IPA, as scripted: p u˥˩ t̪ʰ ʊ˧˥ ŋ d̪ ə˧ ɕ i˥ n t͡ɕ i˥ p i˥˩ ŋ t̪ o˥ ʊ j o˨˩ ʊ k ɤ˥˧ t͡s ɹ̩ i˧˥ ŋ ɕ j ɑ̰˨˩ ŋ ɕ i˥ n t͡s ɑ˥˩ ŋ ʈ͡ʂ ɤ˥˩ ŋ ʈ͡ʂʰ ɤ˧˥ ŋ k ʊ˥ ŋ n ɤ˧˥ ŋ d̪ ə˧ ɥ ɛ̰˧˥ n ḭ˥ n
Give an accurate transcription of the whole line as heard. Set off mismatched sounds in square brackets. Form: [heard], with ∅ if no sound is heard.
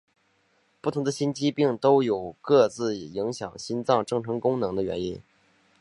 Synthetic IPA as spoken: p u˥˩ t̪ʰ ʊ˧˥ ŋ d̪ ə˧ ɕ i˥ n t͡ɕ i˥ p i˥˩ ŋ t̪ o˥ ʊ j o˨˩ ʊ k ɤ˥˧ t͡s ɹ̩ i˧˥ ŋ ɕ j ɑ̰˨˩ ŋ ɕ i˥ n t͡s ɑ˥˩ ŋ ʈ͡ʂ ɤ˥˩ ŋ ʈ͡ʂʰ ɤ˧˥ ŋ k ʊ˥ ŋ n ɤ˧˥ ŋ d̪ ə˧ ɥ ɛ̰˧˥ n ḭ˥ n